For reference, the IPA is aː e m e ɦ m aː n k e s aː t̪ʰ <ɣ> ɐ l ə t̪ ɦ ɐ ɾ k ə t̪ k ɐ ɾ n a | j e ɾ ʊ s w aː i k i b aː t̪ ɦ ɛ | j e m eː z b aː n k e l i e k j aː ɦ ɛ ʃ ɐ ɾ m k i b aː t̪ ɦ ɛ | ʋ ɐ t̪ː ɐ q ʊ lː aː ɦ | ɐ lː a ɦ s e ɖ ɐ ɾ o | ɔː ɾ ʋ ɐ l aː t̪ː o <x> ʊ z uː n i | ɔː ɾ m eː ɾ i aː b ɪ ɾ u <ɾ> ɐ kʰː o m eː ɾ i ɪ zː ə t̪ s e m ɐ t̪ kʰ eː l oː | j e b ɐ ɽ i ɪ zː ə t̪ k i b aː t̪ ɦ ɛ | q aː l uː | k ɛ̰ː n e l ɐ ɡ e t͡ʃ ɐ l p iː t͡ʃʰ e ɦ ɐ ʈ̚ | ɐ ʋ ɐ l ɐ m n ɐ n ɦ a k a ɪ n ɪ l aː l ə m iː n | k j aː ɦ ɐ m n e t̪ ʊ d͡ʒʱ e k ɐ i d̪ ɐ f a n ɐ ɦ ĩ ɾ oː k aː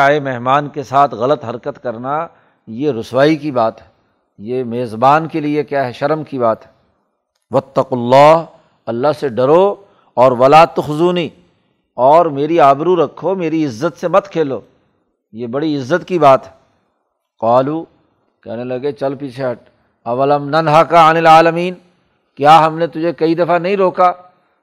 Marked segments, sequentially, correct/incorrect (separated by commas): correct, correct, correct